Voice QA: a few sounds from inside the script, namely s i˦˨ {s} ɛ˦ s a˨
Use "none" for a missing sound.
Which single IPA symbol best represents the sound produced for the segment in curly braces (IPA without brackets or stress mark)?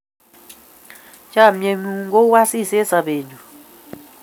s